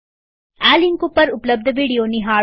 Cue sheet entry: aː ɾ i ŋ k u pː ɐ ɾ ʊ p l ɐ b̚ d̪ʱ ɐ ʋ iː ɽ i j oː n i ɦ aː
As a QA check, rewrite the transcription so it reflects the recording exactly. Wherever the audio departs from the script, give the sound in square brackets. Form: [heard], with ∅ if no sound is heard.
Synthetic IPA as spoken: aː [l] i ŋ k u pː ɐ ɾ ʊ p l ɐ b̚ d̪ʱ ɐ ʋ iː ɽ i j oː n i ɦ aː